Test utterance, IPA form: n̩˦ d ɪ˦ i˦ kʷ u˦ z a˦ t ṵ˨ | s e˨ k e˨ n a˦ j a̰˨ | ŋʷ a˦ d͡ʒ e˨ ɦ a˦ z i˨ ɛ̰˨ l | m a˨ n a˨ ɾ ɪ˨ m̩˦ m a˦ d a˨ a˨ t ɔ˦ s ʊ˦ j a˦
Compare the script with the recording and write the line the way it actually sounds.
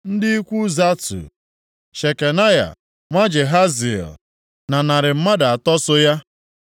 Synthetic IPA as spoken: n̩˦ d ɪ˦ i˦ kʷ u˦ z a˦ t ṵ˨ | ʃ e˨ k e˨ n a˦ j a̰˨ | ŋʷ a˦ d͡ʒ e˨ ɦ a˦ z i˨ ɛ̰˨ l | n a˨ n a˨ ɾ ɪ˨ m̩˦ m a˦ d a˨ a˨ t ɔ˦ s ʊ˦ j a˦

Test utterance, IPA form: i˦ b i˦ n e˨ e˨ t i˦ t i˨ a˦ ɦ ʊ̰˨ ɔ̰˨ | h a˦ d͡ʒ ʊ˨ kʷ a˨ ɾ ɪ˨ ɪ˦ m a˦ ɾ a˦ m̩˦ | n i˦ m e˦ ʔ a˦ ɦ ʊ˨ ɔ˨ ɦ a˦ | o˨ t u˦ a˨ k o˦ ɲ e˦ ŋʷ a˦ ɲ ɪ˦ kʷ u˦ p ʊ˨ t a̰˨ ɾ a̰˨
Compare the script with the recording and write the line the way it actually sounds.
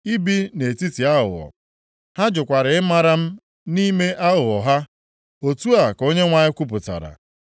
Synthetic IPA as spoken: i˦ b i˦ n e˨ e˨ t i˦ t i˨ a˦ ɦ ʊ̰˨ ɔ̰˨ | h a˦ d͡ʒ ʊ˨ kʷ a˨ ɾ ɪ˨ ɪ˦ m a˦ ɾ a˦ m̩˦ | n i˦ m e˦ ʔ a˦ ɦ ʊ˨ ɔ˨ ɦ a˦ | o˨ t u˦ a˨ k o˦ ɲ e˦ ŋʷ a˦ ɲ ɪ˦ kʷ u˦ p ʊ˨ t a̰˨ ɾ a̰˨

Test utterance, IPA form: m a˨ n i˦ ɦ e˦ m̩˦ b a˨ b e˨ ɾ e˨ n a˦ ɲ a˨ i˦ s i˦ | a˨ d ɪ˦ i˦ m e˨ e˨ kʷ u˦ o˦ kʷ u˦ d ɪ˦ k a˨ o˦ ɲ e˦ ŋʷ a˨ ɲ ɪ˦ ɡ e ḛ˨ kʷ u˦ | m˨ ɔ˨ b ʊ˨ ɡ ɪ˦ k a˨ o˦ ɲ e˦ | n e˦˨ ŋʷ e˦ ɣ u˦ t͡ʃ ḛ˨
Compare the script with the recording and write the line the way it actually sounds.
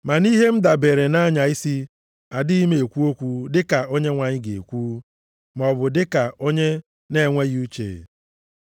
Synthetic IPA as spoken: m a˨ n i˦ ɦ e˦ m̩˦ d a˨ b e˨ ɾ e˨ n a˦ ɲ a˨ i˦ s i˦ | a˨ d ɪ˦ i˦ m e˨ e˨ kʷ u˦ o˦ kʷ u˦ d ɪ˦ k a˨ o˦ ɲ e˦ ŋʷ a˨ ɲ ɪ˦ ɡ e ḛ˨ kʷ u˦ | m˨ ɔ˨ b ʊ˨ d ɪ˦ k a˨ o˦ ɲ e˦ | n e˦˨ ŋʷ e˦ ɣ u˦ t͡ʃ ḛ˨

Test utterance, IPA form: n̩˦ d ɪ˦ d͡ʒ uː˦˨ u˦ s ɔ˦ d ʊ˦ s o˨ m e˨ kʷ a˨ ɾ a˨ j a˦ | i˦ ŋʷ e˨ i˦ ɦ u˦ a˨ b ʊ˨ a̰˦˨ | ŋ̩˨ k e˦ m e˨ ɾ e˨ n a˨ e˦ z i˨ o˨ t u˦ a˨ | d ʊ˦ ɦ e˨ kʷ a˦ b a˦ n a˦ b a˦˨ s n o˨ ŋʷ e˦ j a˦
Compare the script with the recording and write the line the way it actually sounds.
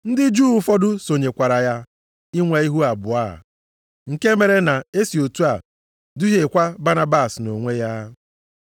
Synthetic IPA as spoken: n̩˦ d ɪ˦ d͡ʒ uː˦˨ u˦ f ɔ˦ d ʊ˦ s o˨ ɲ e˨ kʷ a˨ ɾ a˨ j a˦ | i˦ ŋʷ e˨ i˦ ɦ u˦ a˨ b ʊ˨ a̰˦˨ | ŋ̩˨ k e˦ m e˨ ɾ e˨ n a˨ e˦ s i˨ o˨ t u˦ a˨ | d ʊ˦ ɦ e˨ kʷ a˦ b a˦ n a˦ b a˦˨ s n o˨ ŋʷ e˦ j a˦

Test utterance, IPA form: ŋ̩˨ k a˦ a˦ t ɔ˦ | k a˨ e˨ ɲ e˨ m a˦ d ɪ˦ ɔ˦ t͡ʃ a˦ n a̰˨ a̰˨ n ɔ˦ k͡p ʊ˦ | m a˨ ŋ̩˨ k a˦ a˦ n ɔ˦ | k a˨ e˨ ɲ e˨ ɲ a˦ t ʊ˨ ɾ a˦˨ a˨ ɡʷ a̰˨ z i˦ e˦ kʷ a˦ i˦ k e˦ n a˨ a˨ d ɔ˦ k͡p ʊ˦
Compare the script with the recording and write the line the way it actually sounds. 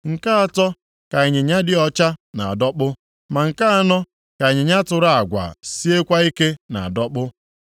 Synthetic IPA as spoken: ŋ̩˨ k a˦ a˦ t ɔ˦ | k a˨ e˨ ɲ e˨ ɲ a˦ d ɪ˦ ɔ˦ t͡ʃ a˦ n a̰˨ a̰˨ d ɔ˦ k͡p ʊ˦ | m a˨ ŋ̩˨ k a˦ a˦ n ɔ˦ | k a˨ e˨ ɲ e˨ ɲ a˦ t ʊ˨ ɾ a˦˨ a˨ ɡʷ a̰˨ s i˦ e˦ kʷ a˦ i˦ k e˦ n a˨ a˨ d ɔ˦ k͡p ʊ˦

